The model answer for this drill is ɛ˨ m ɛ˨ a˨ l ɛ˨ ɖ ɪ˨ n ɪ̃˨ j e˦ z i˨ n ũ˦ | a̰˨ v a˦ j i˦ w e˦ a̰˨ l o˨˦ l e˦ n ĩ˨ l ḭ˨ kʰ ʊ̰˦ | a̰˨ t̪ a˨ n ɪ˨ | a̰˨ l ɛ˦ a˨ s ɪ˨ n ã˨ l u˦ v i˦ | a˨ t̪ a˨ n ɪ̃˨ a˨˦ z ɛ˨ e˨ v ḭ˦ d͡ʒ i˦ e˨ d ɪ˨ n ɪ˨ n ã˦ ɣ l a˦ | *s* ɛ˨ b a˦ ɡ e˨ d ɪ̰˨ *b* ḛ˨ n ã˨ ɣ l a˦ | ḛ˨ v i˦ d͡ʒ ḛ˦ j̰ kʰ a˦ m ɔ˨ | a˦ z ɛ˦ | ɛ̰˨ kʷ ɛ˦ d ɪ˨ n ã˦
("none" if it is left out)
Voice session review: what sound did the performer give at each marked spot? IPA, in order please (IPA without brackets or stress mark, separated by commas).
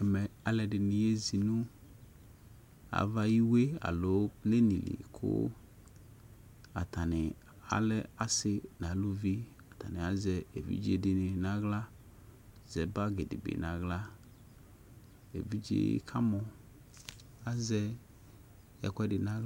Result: z, b